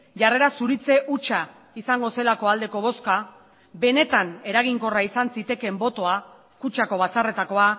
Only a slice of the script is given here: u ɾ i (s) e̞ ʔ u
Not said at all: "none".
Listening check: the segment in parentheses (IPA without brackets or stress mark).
t͡s